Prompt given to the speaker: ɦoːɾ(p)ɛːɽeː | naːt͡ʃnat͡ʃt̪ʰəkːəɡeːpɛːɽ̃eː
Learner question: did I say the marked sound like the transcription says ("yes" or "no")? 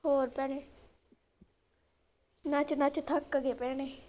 yes